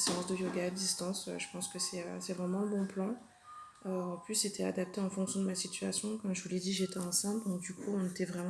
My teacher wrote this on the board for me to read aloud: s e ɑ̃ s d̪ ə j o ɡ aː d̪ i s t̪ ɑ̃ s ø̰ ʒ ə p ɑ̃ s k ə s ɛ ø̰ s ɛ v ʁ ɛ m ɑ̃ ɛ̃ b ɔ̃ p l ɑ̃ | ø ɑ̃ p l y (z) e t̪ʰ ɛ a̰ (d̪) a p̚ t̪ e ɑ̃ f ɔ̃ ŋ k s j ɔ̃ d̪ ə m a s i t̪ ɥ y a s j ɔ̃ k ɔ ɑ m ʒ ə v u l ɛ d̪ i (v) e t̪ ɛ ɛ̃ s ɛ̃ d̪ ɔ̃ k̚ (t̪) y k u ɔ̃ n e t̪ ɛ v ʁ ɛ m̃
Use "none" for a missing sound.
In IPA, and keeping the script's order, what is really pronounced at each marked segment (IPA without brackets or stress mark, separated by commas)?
s, d̪, ʒ, d̪